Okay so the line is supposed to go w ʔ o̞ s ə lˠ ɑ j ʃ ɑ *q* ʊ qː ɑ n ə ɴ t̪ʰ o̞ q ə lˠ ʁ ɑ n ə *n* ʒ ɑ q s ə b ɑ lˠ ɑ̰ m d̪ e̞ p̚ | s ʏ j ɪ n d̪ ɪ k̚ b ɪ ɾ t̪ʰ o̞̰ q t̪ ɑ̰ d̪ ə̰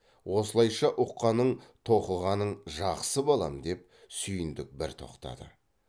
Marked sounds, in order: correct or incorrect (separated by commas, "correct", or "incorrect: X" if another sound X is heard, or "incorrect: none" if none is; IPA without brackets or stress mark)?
incorrect: ʔ, incorrect: ɴ